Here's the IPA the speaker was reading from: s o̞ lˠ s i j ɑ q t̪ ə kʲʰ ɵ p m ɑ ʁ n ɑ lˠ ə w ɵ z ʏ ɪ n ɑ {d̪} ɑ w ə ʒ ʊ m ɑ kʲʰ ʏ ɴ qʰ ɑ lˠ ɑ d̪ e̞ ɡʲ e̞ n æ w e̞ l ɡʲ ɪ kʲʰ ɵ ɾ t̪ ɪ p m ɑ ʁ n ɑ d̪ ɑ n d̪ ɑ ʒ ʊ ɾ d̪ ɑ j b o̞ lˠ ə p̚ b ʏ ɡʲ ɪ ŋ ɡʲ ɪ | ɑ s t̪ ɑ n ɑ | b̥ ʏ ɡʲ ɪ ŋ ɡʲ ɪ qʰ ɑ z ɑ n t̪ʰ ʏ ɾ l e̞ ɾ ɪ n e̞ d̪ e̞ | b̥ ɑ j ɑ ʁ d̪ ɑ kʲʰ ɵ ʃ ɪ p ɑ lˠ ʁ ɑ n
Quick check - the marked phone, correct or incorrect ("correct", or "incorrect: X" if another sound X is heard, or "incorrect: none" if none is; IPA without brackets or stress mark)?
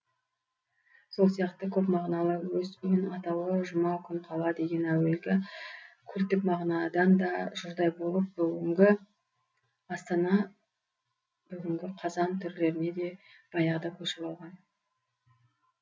incorrect: t̪